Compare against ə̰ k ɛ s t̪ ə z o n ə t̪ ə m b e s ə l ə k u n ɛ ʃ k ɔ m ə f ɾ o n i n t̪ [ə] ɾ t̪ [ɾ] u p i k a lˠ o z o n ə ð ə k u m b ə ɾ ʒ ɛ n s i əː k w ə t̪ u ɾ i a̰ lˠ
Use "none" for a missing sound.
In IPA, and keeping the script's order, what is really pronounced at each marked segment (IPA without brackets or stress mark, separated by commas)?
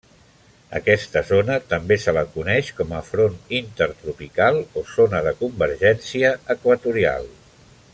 ə, ɾ